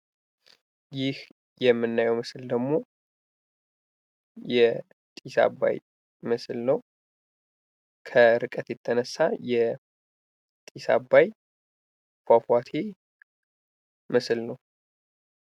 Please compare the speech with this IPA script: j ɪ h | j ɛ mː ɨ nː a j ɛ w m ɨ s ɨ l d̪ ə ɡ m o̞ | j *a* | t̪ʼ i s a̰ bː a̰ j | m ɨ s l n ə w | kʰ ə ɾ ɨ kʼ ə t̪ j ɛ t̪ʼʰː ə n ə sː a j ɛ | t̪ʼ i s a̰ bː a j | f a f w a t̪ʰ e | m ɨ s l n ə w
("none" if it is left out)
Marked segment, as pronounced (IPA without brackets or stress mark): ɛ